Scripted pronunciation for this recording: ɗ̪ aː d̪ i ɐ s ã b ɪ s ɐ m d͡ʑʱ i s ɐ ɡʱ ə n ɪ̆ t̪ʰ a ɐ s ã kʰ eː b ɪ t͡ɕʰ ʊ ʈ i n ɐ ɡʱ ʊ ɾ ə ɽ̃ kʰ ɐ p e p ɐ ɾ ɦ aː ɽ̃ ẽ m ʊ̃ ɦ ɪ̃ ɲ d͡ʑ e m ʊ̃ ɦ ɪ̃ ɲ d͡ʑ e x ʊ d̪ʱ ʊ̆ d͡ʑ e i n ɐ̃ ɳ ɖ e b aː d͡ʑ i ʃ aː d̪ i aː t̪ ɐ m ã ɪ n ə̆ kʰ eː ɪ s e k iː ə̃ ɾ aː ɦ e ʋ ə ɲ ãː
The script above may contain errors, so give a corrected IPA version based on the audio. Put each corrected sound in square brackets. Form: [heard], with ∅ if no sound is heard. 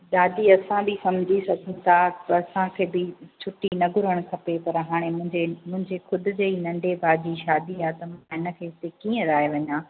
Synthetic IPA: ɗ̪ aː d̪ i ɐ s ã b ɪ s ɐ m d͡ʑʱ i s ɐ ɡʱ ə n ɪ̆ t̪ʰ a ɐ s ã kʰ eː b ɪ t͡ɕʰ ʊ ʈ i n ɐ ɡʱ ʊ ɾ ə ɽ̃ kʰ ɐ p e p ɐ ɾ ɦ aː ɽ̃ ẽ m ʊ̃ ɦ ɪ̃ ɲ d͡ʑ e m ʊ̃ ɦ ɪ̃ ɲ d͡ʑ e x ʊ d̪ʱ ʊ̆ d͡ʑ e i n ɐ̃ ɳ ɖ e b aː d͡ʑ i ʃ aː d̪ i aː t̪ ɐ m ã ɪ n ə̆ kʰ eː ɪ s e k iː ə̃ ɾ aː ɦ e ʋ [ɐ] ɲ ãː